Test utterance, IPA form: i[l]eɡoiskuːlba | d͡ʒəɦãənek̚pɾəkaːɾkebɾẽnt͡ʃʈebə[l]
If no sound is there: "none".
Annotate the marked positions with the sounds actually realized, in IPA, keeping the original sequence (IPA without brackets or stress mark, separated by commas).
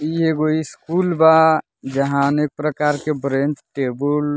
none, l